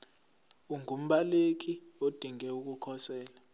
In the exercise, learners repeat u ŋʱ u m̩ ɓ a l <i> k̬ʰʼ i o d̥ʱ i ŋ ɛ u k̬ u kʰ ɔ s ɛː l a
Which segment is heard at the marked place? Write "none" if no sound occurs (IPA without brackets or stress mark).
e